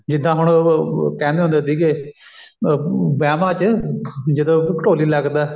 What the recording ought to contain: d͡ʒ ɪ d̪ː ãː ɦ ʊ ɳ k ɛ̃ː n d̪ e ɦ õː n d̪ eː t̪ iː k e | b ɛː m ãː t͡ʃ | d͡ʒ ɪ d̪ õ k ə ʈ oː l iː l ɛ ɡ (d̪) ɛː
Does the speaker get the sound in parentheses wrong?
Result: no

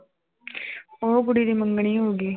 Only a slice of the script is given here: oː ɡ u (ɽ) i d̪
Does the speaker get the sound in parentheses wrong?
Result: no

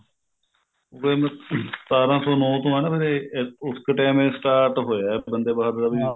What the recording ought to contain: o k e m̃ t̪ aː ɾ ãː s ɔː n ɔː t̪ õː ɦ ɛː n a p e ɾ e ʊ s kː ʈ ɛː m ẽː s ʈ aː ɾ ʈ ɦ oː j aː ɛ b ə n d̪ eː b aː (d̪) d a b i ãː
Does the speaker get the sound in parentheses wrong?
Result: no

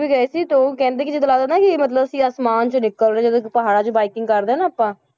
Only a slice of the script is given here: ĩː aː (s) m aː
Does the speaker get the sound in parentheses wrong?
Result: no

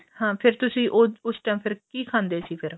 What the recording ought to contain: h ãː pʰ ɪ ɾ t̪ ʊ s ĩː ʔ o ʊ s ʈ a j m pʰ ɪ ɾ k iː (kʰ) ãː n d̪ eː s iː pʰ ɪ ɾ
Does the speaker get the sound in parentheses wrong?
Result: no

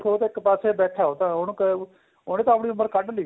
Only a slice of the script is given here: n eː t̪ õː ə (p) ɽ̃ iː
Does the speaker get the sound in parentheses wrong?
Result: no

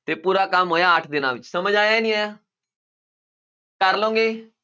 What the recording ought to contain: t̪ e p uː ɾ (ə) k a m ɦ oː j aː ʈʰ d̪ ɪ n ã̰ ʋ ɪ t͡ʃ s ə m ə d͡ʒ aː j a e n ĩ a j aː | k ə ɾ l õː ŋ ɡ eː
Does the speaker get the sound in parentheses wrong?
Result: yes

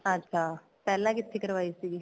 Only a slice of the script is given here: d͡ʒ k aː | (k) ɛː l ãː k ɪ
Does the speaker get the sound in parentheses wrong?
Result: yes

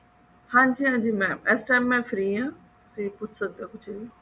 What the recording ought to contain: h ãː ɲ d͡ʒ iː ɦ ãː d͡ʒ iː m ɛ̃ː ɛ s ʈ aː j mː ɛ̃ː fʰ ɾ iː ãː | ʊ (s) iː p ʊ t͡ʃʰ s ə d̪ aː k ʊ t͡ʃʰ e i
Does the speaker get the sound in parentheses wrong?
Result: no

